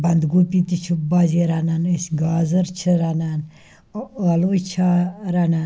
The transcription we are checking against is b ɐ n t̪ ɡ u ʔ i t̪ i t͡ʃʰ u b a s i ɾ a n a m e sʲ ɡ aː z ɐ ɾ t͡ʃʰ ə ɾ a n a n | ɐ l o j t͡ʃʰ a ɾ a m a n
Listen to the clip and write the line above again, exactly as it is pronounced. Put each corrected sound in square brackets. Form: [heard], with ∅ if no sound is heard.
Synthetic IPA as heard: b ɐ n [d̪] ɡ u [p] i t̪ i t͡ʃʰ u b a [z] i ɾ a n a [n] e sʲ ɡ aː z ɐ ɾ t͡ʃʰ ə ɾ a n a n | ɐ l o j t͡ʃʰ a ɾ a [n] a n